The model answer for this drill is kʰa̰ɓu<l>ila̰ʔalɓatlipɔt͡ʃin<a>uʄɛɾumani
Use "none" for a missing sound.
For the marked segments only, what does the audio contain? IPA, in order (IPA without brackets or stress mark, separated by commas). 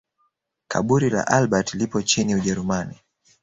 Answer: ɾ, i